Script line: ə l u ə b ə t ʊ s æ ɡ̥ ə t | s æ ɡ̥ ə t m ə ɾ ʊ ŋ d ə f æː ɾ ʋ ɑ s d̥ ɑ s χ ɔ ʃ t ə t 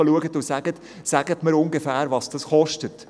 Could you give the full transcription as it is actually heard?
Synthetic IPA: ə l u ə ɡ ə t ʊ s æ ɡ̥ ə t | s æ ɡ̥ ə t m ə ɾ ʊ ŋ ɡ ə f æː ɾ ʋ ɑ s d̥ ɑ s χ ɔ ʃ t ə t

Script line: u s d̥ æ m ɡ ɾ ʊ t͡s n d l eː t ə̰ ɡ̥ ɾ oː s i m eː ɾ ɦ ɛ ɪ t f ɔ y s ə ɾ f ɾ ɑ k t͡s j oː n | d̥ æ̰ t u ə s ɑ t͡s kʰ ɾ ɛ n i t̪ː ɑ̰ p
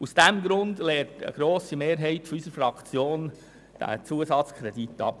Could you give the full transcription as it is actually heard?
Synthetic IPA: u s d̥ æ m ɡ ɾ ʊ n d l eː t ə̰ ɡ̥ ɾ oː s i m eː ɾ ɦ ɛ ɪ t f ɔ y s ə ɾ f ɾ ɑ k t͡s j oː n | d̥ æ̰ t͡s u ə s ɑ t͡s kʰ ɾ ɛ d i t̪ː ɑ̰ p

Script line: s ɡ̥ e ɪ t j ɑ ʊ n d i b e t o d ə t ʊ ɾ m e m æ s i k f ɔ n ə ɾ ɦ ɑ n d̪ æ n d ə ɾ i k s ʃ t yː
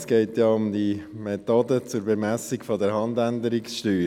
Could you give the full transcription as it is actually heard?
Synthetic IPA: s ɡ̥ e ɪ t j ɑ ʊ m d i m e t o d ə t͡s ʊ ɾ b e m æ s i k f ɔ d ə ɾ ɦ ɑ n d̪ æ n d ə ɾ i k s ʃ t yː

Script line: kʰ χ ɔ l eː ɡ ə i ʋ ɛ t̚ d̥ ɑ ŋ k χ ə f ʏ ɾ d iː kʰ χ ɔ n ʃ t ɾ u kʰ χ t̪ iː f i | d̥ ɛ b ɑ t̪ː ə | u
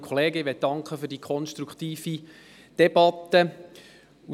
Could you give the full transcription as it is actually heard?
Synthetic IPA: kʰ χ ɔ l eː ɡ ə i ʋ ɛ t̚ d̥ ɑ ŋ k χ ə f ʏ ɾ d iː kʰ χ ɔ n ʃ t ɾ u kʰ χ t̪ iː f i | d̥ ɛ b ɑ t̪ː ə | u

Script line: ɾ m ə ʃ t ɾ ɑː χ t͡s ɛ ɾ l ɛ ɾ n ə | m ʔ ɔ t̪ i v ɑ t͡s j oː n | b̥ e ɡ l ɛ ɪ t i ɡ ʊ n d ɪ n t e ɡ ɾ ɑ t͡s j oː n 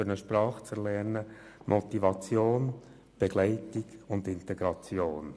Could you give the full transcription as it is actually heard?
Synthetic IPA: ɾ n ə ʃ p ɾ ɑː χ t͡s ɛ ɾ l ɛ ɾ n ə | m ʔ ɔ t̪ i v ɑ t͡s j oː n | b̥ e ɡ l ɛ ɪ t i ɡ ʊ n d ɪ n t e ɡ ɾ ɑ t͡s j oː n

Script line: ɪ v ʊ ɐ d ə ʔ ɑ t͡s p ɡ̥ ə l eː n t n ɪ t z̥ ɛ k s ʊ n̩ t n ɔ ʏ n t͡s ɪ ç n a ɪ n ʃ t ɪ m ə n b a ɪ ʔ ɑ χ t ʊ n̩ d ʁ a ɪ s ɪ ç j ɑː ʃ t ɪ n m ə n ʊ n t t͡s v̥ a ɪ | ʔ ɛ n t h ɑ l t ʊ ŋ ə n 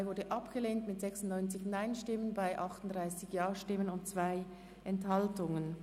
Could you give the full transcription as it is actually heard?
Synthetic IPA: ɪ v ʊ ɐ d ə ʔ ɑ p ɡ̥ ə l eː n t m ɪ t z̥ ɛ k s ʊ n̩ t n ɔ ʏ n t͡s ɪ ç n a ɪ n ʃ t ɪ m ə n b a ɪ ʔ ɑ χ t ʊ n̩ d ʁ a ɪ s ɪ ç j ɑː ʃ t ɪ m ə n ʊ n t t͡s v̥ a ɪ | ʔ ɛ n t h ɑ l t ʊ ŋ ə n

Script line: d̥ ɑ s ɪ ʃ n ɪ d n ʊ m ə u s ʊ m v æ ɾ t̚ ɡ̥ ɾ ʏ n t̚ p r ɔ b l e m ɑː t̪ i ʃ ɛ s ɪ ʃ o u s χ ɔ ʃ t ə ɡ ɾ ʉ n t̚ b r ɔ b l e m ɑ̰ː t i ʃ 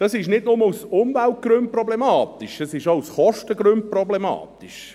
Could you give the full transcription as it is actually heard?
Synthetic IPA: d̥ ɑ s ɪ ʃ n ɪ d n ʊ m ə u s ʊ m v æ l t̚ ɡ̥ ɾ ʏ n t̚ p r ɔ b l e m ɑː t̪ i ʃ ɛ s ɪ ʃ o u s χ ɔ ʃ t ə ɡ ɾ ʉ n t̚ p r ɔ b l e m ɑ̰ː t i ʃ

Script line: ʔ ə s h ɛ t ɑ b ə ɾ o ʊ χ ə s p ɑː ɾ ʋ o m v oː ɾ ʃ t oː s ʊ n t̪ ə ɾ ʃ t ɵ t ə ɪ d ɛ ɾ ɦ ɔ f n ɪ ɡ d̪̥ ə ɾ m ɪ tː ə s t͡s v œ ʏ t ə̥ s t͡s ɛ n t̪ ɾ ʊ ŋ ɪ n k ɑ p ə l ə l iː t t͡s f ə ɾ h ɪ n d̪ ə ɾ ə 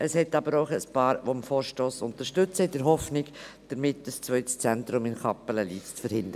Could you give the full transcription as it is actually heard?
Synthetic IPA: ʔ ə s h ɛ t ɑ b ə ɾ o ʊ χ ə s p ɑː ɾ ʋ o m f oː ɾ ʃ t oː s ʊ n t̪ ə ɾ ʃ t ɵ t͡s ə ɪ d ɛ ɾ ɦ ɔ f n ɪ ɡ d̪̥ ə ɾ m ɪ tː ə s t͡s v œ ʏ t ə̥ s t͡s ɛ n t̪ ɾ ʊ m ɪ n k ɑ p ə l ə l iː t t͡s f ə ɾ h ɪ n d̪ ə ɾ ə

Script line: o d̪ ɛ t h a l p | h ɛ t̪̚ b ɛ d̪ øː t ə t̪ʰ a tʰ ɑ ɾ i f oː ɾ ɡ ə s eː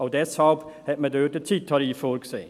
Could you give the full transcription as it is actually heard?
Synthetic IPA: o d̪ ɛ s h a l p | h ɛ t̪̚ m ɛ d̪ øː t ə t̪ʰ i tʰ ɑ ɾ i f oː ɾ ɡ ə s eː

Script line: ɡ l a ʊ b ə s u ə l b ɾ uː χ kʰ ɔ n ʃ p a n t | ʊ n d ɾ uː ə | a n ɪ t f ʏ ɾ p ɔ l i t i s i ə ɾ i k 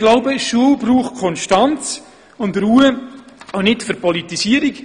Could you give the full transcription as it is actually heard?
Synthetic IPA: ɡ l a ʊ b ə ʃ u ə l b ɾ uː χ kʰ ɔ n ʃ t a n t͡s | ʊ n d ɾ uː ə | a n ɪ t f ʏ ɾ p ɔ l i t i s i ə ɾ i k

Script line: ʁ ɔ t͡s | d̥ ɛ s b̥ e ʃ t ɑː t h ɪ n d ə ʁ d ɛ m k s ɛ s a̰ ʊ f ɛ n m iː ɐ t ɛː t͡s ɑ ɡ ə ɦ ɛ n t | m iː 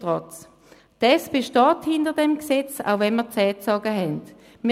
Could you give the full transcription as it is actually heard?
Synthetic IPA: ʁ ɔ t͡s | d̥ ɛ s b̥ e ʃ t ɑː t h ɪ n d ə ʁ d ɛ m k s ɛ t͡s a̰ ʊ v ɛ n m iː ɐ t͡s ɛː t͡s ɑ ɡ ə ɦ ɛ n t | m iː

